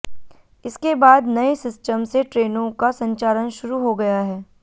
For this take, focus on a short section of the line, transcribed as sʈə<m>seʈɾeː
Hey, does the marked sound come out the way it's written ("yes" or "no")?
yes